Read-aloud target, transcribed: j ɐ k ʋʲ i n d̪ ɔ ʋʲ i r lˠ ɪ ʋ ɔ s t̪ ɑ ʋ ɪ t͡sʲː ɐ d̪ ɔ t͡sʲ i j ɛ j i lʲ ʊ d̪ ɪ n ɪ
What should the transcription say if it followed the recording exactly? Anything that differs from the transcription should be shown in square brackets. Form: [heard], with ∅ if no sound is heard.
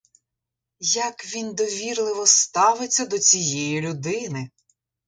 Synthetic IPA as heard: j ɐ k ʋʲ i n d̪ ɔ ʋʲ i r lˠ ɪ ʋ ɔ s t̪ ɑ ʋ ɪ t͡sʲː ɐ d̪ ɔ t͡sʲ i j ɛ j i lʲ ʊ d̪ ɪ n ɪ